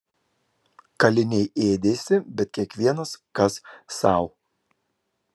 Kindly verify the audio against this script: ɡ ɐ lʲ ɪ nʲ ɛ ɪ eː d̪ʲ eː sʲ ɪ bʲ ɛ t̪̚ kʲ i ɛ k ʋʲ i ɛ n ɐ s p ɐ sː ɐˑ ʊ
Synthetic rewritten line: k ɐ lʲ ɪ nʲ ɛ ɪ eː d̪ʲ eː sʲ ɪ bʲ ɛ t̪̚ kʲ i ɛ k ʋʲ i ɛ n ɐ s k ɐ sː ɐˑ ʊ